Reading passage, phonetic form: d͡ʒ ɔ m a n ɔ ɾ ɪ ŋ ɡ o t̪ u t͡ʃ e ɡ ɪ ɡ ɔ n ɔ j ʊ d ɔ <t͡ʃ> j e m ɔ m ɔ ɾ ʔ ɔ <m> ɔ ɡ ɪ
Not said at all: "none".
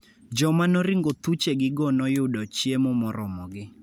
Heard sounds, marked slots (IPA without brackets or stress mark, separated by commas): t͡ʃ, m